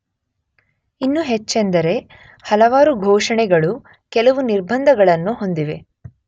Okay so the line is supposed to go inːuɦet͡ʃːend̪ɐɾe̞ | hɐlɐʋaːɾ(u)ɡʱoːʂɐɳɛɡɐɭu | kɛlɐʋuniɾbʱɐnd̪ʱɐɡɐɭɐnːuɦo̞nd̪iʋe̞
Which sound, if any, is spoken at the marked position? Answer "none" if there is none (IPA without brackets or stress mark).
u